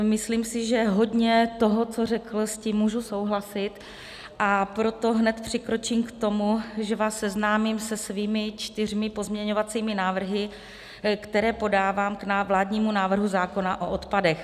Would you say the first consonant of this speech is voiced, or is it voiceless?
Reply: voiced